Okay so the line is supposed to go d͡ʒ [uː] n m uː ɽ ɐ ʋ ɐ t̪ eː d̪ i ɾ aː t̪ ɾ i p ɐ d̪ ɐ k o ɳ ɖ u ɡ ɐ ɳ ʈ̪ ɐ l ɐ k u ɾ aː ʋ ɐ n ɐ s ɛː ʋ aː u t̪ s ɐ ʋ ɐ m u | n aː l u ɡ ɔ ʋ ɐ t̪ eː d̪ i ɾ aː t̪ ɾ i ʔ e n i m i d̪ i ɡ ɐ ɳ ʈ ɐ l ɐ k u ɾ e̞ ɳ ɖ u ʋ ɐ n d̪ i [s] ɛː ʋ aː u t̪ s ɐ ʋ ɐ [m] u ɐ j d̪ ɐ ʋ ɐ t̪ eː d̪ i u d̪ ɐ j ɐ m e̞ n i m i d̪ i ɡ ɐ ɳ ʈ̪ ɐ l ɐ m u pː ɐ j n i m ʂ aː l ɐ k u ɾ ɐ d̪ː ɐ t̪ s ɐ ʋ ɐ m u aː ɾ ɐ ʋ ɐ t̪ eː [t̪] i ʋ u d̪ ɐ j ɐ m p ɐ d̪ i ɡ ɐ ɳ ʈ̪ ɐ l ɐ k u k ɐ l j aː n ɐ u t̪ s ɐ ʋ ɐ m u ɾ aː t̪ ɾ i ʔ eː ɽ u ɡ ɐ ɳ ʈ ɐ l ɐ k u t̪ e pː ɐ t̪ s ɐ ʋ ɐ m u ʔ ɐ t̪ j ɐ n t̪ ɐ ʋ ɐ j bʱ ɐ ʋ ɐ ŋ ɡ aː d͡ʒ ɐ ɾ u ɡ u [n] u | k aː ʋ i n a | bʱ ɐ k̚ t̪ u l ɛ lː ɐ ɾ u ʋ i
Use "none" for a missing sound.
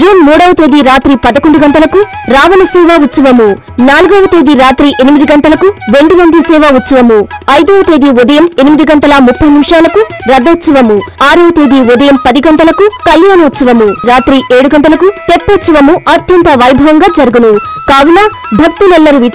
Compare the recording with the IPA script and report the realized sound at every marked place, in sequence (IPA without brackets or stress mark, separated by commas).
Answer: uː, s, m, d̪, n